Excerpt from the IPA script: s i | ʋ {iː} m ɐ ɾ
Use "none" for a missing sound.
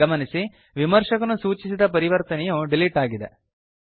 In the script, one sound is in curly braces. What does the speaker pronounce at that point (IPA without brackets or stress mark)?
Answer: i